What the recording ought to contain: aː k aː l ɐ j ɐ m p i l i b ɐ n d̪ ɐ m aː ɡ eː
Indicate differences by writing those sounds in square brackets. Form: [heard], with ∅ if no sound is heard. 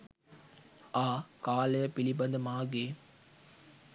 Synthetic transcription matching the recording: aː k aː l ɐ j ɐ [∅] p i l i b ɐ n d̪ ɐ m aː ɡ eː